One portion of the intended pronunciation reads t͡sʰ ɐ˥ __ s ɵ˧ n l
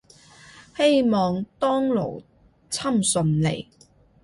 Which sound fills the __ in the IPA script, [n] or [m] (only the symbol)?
m